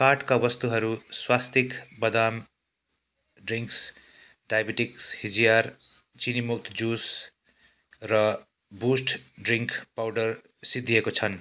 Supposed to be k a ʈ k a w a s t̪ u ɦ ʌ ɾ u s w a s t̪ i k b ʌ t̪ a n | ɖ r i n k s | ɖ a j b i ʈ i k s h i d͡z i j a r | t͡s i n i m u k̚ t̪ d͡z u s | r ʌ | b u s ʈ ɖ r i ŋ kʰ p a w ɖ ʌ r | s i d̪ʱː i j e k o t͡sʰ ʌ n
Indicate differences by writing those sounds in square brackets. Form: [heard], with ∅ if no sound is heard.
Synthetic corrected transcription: k a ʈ k a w [ʌ] s t̪ u ɦ ʌ ɾ u s w a s t̪ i k b ʌ [d̪] a [m] | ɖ r i [ŋ] k s | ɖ a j b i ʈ i k s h i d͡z i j a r | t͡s i n i m u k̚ t̪ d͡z u s | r ʌ | b u s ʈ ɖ r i ŋ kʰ p a w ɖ ʌ r | s i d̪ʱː i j e k o t͡sʰ ʌ n